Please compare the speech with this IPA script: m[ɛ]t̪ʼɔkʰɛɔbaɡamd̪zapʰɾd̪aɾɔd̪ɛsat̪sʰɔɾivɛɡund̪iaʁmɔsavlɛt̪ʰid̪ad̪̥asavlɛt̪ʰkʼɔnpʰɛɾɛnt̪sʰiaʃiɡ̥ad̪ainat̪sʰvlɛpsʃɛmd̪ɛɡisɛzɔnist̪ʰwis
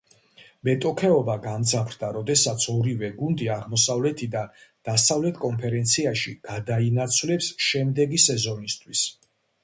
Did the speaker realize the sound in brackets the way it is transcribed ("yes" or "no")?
yes